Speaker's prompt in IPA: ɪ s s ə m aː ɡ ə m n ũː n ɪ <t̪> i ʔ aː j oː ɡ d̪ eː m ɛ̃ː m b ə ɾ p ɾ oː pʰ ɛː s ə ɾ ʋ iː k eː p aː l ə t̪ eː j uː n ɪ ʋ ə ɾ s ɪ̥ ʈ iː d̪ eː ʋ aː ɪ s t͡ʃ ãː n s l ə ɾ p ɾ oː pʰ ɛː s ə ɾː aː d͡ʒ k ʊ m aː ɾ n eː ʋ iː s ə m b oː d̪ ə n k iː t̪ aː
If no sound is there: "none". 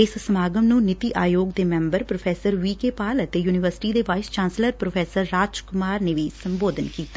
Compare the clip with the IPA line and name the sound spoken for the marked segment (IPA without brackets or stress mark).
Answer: t̪